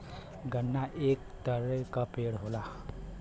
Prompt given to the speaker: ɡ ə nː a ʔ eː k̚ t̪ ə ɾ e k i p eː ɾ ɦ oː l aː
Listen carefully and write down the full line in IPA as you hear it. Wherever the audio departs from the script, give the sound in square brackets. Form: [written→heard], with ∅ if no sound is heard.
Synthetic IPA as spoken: ɡ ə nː a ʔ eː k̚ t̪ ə ɾ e k [i→a] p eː [ɾ→ɽ] ɦ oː l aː